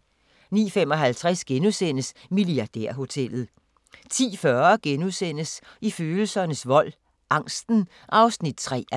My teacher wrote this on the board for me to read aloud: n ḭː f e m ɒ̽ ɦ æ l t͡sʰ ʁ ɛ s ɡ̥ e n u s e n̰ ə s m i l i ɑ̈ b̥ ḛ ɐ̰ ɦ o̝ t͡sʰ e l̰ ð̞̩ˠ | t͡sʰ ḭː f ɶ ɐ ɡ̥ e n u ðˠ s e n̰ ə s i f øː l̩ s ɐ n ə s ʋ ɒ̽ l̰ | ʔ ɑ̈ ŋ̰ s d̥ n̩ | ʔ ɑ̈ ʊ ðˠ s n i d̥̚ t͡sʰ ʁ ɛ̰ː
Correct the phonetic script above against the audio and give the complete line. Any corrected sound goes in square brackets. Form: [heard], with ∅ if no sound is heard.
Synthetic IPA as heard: n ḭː f e m ɒ̽ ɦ æ l t͡sʰ ʁ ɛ s ɡ̥ e n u s e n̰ ə s m i l i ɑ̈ [d̥] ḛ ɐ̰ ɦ o̝ t͡sʰ e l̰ ð̞̩ˠ | t͡sʰ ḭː f ɶ ɐ ɡ̥ e n u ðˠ s e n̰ ə s i f øː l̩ s ɐ n ə s ʋ ɒ̽ l̰ | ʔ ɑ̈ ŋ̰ s d̥ n̩ | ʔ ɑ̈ ʊ [∅] s n i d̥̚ t͡sʰ ʁ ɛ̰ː